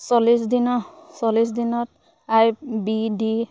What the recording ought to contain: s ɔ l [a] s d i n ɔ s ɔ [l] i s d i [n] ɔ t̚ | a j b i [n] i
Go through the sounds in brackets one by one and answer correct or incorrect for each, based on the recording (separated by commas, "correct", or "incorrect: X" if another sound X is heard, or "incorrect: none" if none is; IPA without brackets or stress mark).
incorrect: i, correct, correct, incorrect: d